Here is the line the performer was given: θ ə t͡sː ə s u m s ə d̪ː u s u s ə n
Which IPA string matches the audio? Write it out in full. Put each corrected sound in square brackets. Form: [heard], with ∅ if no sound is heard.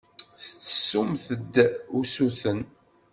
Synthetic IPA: θ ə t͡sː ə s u m [θ] ə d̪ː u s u [θ] ə n